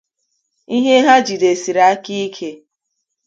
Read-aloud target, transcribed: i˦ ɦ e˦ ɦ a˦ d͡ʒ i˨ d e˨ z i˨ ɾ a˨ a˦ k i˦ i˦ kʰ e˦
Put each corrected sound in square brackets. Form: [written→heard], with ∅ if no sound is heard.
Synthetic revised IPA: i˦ ɦ e˦ ɦ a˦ d͡ʒ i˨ d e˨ [z→s] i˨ ɾ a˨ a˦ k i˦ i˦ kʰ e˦